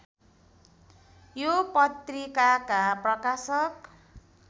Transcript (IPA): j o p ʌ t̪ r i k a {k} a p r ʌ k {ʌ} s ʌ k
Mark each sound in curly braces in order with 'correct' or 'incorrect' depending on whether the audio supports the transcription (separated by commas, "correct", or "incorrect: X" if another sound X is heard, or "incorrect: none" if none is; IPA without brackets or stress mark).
correct, incorrect: a